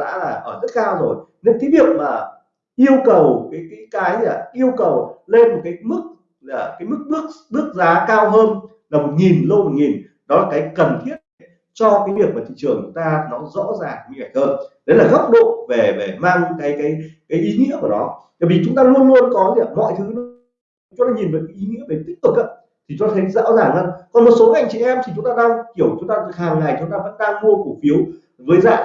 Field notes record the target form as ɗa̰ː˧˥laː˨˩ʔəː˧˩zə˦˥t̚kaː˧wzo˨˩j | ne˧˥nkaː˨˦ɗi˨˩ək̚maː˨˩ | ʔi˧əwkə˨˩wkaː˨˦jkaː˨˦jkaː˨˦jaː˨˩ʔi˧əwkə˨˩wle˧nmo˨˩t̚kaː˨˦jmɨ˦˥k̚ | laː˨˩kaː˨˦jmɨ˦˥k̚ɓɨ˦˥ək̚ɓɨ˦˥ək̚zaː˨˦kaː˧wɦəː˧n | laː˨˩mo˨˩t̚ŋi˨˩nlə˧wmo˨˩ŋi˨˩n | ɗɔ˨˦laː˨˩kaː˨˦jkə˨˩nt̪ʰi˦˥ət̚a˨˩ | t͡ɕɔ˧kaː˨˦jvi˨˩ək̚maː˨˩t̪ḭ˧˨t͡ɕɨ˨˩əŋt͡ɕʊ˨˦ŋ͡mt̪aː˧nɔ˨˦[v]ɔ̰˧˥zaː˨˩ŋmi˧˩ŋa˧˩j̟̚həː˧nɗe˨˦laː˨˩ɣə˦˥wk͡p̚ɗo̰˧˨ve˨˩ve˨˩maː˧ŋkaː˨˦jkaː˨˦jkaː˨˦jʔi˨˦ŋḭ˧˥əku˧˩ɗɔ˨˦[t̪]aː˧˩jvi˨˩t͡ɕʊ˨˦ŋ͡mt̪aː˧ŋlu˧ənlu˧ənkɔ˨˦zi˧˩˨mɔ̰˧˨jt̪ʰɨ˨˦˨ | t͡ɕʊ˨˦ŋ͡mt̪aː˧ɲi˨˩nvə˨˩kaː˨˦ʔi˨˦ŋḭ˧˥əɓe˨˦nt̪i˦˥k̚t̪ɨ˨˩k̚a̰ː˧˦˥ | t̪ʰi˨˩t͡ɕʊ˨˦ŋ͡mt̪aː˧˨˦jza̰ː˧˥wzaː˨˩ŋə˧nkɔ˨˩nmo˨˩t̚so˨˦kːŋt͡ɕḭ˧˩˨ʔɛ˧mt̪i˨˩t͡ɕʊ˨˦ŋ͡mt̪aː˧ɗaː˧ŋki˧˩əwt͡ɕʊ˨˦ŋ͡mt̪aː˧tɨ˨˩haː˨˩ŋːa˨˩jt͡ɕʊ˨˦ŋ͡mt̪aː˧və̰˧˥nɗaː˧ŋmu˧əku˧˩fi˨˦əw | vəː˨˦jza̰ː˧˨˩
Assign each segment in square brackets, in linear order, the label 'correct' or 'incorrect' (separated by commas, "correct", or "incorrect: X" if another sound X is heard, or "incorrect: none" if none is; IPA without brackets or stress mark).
incorrect: z, correct